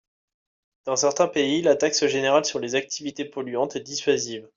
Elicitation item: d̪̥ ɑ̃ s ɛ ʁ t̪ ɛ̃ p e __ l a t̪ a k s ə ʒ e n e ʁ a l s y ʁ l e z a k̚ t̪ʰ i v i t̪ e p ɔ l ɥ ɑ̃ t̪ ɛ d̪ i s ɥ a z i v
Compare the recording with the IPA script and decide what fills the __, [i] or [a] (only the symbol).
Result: i